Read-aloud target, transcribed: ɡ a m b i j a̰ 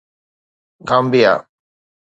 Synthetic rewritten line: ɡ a m b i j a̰